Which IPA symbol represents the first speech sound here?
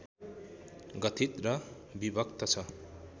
ɡ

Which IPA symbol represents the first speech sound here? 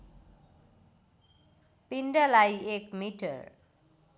p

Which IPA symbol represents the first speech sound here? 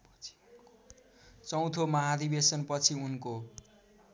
t͡s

